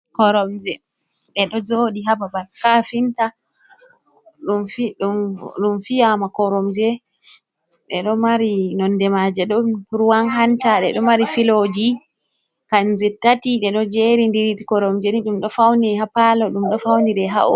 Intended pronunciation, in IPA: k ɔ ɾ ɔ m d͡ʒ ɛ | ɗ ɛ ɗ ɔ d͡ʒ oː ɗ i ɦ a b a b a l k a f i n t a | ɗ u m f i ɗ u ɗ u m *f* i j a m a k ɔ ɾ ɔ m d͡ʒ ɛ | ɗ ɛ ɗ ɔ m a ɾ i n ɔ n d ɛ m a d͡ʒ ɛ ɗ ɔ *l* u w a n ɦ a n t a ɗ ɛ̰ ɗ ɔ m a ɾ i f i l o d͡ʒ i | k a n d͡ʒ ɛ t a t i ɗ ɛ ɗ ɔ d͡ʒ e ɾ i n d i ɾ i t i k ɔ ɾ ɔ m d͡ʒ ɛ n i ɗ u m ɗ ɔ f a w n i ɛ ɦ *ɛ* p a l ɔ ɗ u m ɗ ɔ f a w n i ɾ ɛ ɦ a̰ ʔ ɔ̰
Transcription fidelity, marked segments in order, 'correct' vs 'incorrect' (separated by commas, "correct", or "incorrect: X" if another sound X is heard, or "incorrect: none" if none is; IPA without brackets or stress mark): correct, incorrect: ɾ, incorrect: a